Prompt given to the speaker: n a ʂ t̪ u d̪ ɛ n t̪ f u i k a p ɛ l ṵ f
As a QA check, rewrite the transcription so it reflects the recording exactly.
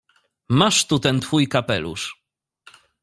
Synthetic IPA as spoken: m a ʂ t̪ u t̪ ɛ n t̪ f u j k a p ɛ l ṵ ʂ